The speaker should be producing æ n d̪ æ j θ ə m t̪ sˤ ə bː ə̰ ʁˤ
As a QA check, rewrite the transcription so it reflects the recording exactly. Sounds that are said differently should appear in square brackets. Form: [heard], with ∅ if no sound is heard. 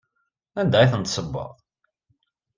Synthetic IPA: æ n d̪ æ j θ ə [n] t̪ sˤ ə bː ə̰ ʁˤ